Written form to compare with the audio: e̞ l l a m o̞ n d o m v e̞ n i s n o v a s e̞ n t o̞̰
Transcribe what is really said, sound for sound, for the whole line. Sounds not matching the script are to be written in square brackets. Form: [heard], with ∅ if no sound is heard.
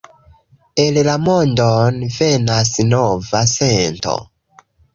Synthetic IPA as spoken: e̞ l l a m o̞ n d o [n] v e̞ n [a] s n o v a s e̞ n t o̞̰

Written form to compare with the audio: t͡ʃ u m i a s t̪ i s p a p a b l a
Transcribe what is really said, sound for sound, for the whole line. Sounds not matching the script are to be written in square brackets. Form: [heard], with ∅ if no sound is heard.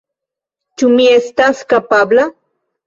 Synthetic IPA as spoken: t͡ʃ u m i [e] s t̪ [a] s [k] a p a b l a

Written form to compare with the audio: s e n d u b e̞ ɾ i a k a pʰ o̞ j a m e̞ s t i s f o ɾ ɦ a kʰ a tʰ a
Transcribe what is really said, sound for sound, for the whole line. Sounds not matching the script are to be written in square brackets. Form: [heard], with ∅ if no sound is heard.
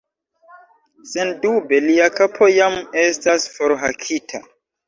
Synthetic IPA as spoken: s e n d u b e̞ [l] i a k a pʰ o̞ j a m e̞ s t [a] s f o ɾ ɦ a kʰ [i] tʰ a

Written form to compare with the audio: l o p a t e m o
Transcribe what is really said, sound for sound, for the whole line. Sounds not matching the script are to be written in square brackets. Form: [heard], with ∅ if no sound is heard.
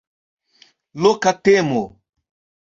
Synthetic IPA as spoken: l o [k] a t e m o

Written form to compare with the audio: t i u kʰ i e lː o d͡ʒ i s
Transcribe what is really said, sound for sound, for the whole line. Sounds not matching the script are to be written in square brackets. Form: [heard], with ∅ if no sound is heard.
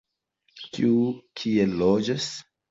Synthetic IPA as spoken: [k] i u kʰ i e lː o d͡ʒ [a] s

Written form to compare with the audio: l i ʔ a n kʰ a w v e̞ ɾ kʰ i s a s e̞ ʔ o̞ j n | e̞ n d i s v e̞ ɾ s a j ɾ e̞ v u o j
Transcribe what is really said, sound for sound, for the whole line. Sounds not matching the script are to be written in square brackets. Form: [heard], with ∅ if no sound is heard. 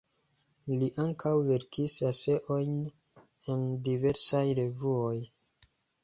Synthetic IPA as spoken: l i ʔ a [ŋ] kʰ a w v e̞ ɾ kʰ i s a s e̞ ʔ o̞ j n | e̞ n d i [∅] v e̞ ɾ s a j ɾ e̞ v u o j

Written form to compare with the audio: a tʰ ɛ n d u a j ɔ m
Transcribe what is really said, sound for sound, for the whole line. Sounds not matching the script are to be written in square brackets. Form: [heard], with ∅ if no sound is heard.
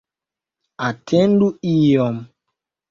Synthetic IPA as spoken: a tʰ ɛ n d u [i] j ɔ m

